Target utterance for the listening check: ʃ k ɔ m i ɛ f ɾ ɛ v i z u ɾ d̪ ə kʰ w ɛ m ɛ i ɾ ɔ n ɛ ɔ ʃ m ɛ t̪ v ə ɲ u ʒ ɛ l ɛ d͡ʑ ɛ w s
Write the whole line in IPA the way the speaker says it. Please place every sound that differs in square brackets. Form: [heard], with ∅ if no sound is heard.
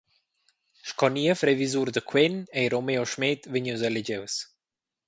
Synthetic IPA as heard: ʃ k ɔ [n] i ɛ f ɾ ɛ v i z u ɾ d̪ ə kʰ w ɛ [n] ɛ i ɾ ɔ [m] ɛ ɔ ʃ m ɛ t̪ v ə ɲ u [z] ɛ l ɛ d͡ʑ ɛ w s